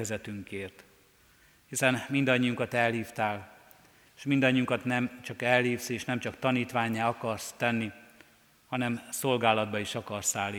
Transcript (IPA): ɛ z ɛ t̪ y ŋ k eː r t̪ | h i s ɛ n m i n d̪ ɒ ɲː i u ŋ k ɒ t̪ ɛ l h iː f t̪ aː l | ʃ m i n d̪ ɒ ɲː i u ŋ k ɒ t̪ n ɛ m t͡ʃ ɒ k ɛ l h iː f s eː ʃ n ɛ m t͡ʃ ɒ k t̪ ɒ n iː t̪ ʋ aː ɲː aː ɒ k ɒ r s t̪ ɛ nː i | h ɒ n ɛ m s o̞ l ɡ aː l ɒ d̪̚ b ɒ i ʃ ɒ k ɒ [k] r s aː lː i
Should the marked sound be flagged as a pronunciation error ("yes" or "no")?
yes